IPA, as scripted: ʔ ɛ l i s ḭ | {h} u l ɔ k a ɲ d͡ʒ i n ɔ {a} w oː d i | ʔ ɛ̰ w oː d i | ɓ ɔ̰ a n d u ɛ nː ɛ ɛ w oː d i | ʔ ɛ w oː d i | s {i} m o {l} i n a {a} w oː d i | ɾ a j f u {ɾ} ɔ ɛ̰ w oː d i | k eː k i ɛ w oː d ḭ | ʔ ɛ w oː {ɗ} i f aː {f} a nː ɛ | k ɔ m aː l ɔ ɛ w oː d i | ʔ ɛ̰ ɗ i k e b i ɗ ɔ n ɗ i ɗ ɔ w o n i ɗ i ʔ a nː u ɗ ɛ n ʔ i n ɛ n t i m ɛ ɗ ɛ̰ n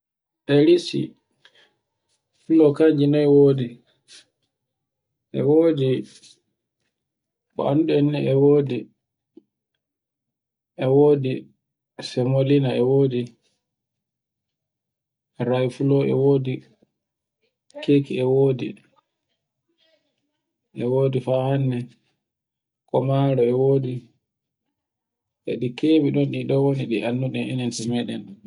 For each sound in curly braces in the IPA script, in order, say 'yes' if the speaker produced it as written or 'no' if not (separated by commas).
no, no, no, yes, no, no, no, no